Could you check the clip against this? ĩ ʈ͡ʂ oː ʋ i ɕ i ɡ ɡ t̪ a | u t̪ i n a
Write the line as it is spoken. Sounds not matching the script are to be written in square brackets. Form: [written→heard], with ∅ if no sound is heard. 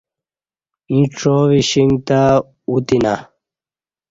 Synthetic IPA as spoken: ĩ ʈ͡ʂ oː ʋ i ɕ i [ɡ→ŋ] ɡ t̪ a | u t̪ i n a